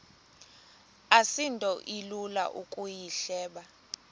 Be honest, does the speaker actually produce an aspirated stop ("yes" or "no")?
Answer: no